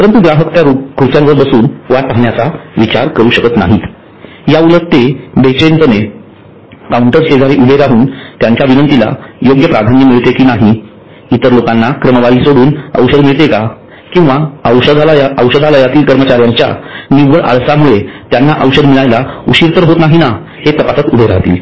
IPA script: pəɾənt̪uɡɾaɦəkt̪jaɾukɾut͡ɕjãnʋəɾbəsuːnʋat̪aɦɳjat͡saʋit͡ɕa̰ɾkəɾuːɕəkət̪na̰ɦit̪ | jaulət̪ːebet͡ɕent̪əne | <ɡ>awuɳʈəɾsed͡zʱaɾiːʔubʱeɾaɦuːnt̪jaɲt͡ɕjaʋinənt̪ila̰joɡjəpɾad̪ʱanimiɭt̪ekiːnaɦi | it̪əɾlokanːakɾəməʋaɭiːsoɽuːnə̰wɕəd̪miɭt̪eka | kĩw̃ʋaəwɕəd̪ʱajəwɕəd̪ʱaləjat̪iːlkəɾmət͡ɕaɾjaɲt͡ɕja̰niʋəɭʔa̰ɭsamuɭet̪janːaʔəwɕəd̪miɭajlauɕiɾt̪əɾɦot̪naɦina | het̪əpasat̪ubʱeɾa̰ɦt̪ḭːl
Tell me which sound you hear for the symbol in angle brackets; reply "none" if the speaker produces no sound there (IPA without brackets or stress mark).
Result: k